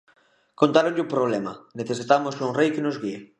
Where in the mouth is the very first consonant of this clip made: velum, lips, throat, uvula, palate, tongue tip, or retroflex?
velum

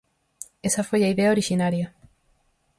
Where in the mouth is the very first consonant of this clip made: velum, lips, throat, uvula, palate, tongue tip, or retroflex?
tongue tip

